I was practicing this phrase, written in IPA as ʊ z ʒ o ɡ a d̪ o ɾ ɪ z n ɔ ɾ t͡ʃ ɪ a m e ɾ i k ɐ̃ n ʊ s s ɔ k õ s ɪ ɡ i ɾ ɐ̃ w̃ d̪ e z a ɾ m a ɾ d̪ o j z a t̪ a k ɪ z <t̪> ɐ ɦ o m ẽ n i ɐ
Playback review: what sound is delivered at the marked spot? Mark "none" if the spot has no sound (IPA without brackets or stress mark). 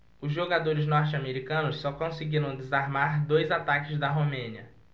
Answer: d̪